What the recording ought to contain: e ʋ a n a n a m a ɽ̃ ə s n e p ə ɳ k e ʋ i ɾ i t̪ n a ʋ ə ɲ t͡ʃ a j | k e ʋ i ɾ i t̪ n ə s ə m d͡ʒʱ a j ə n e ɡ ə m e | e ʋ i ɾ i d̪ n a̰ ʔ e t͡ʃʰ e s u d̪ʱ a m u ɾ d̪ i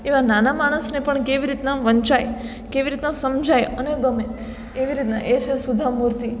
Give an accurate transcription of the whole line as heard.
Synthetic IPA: e ʋ a n a n a m a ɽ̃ ə s n e p ə ɳ k e ʋ i ɾ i t̪ n a ʋ ə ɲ t͡ʃ a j | k e ʋ i ɾ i t̪ n a s ə m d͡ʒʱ a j ə n e ɡ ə m e | e ʋ i ɾ i t̪ n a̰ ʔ e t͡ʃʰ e s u d̪ʱ a m u ɾ t̪ i